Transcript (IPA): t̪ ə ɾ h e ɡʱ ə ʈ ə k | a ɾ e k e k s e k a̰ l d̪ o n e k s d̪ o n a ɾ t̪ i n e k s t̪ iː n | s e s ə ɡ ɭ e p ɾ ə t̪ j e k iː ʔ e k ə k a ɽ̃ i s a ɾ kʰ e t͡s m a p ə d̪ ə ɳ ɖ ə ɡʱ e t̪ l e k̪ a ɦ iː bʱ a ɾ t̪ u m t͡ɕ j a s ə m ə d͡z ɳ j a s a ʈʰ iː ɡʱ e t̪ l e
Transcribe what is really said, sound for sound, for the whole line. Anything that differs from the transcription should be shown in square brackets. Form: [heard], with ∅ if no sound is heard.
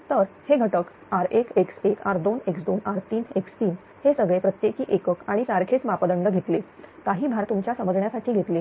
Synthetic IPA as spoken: t̪ ə ɾ h e ɡʱ ə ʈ ə k | a ɾ e k e k s e k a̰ [ɾ] d̪ o n e k s d̪ o n a ɾ t̪ [iː] n e k s t̪ iː n | [h] e s ə ɡ ɭ e p ɾ ə t̪ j e k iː ʔ e k ə k a ɽ̃ i s a ɾ kʰ e t͡s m a p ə d̪ ə ɳ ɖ ə ɡʱ e t̪ l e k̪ a ɦ iː bʱ a ɾ t̪ u m t͡ɕ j a s ə m ə d͡z ɳ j a s a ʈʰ iː ɡʱ e t̪ l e